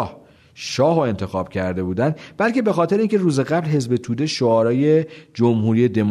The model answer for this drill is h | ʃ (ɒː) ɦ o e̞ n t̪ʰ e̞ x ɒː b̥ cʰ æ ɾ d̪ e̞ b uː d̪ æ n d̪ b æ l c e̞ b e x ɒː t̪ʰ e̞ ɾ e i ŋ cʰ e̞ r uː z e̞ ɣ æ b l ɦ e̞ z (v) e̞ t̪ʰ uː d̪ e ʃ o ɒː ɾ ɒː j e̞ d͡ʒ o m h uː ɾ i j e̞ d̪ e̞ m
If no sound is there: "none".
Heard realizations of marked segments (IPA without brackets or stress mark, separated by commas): ɒː, b